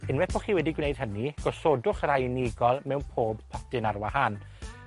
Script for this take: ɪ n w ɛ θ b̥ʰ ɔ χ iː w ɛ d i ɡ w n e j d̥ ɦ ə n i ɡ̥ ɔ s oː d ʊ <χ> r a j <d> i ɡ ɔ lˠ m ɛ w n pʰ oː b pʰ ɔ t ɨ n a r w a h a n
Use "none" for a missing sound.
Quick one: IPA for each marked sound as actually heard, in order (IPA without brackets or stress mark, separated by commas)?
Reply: χ, n